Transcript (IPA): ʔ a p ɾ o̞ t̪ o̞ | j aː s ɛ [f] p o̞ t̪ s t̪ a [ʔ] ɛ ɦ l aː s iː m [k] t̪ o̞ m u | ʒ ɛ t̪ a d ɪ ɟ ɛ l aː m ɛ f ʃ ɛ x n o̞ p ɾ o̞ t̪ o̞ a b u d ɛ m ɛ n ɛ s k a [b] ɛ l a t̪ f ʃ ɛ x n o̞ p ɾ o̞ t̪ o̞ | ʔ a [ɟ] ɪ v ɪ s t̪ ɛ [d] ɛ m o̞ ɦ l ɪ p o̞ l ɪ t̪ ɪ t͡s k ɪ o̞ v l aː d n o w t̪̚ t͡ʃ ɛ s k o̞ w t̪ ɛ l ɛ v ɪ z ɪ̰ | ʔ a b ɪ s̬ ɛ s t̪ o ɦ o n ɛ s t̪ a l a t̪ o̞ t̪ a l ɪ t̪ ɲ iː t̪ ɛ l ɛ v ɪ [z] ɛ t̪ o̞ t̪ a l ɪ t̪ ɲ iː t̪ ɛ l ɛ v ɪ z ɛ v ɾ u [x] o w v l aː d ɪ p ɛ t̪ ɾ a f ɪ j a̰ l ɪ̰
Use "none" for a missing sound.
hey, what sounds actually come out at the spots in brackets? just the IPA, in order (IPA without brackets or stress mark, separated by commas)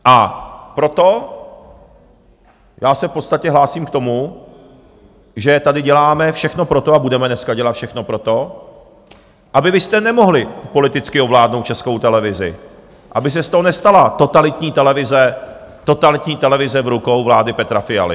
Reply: f, c, k, ɟ, b, n, z, k